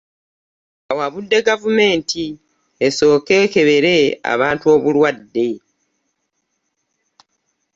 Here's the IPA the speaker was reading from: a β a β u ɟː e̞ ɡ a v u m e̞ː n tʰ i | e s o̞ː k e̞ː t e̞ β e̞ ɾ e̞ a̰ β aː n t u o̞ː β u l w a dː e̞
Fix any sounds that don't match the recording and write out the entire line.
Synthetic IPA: a w a β u dː e̞ ɡ a v u m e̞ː n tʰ i | e s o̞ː k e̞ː k e̞ β e̞ ɾ e̞ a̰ β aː n t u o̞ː β u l w a dː e̞